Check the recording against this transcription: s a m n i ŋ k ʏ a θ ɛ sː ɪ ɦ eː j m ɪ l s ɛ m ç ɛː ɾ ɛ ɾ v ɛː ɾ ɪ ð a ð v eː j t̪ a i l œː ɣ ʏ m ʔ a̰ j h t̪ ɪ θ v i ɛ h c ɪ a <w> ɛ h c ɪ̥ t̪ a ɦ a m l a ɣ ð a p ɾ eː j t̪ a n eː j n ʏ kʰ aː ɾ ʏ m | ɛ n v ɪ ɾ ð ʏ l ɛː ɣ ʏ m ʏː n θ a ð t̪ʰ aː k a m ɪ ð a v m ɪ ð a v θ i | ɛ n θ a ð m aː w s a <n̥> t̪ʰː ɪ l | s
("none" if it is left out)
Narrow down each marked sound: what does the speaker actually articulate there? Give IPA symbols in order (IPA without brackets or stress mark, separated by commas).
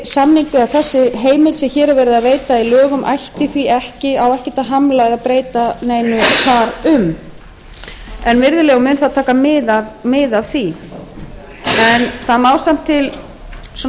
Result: w, m̥